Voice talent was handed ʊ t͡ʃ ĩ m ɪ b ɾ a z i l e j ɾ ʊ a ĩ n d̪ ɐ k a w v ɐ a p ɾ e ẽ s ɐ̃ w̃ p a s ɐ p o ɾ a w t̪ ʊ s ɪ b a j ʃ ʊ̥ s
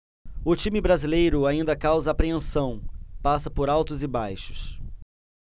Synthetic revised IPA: ʊ t͡ʃ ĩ m ɪ b ɾ a z i l e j ɾ ʊ a ĩ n d̪ ɐ k a w z ɐ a p ɾ e ẽ s ɐ̃ w̃ p a s ɐ p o ɾ a w t̪ ʊ z ɪ b a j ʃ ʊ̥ s